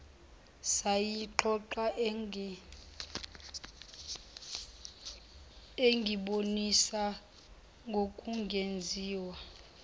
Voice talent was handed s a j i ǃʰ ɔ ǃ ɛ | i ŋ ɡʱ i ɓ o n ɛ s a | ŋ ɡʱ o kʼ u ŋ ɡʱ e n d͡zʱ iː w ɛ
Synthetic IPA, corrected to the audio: s a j i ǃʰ ɔ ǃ a | e ŋ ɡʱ i ɓ o n i s a | ŋ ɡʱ o kʼ u ŋ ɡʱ e n d͡zʱ iː w a